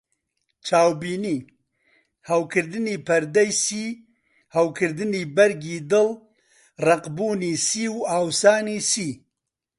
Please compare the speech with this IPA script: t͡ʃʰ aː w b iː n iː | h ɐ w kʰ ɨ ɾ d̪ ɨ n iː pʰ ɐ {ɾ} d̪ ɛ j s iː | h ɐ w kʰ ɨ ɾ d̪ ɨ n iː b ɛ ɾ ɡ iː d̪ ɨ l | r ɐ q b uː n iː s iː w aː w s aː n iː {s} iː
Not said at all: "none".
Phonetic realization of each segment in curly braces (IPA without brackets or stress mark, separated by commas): ɾ, s